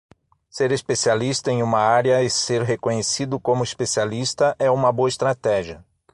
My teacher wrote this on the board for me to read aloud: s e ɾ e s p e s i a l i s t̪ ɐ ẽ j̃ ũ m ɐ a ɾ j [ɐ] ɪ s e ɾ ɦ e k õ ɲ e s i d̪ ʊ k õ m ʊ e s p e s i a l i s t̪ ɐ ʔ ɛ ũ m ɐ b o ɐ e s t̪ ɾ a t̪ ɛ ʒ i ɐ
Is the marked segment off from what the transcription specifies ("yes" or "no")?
no